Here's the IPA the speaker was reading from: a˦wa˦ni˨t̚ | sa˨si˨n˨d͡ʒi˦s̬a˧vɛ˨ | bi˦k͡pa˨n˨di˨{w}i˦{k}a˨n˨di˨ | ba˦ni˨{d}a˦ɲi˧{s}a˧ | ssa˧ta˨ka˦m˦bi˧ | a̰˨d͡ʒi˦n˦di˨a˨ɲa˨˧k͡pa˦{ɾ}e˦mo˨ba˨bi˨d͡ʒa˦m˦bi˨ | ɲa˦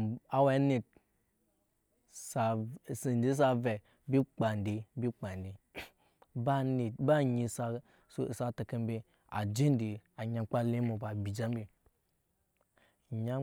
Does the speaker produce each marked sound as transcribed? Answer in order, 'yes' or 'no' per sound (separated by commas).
no, no, no, yes, no